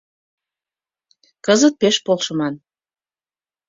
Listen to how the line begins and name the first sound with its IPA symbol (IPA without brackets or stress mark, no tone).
k